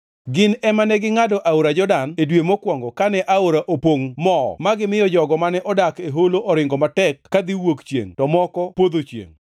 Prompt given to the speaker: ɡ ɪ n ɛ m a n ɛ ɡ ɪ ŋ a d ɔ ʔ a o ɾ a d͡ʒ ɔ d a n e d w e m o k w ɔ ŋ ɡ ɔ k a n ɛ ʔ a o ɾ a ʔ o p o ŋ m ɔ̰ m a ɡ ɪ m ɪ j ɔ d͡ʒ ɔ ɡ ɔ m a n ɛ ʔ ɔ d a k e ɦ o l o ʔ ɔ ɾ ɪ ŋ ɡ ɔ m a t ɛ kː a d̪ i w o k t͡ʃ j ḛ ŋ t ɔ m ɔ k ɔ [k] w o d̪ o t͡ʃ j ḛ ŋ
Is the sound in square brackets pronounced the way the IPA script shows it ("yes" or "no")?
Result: no